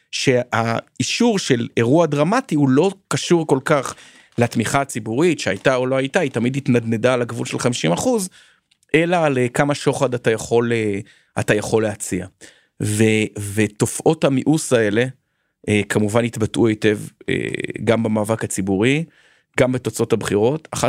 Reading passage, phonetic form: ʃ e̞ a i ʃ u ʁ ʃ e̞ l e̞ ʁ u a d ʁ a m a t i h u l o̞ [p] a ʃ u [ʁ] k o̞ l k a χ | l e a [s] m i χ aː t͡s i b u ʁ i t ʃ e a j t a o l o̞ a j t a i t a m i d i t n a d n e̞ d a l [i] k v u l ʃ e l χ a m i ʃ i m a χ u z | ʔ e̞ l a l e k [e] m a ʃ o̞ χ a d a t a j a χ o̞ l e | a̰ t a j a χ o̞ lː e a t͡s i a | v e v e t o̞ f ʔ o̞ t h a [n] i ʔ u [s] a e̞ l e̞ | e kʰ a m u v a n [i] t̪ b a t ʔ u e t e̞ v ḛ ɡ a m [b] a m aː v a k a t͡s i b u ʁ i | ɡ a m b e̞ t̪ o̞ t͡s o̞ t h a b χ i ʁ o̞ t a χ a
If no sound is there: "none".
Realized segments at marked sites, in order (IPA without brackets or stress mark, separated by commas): k, ʁ, t, a, a, m, s, i, b